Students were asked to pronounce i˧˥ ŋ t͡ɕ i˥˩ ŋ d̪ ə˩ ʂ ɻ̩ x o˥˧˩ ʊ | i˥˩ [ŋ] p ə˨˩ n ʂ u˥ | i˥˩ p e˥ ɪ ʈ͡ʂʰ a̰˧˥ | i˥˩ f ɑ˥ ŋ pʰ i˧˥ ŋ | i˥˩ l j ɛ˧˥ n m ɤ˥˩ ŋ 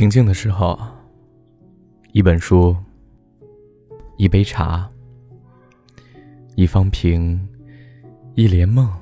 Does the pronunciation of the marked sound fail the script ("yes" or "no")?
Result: yes